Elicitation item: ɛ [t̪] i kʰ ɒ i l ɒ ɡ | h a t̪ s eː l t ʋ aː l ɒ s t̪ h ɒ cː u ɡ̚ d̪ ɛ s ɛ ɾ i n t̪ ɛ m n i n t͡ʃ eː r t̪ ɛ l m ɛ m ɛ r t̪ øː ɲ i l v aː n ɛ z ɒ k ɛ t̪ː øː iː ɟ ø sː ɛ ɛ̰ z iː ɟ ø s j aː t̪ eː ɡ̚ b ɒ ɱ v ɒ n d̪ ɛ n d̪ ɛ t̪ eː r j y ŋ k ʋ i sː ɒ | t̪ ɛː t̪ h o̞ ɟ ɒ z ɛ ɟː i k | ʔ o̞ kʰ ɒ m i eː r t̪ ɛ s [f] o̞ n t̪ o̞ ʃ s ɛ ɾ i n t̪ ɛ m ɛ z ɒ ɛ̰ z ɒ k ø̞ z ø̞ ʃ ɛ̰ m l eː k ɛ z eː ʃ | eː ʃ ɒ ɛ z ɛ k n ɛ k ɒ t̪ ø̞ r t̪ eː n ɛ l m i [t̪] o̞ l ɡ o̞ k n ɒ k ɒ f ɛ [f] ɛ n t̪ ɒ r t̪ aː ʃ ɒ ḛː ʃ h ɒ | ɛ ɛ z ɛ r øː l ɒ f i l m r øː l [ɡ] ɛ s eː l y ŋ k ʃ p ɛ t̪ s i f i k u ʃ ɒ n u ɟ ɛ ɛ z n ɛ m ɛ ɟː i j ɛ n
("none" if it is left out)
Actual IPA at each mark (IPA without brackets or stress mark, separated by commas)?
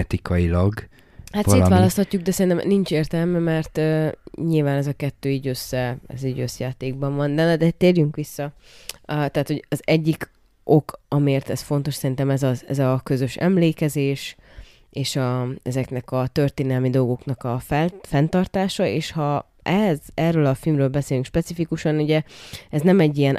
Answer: t̪, f, d̪, f, b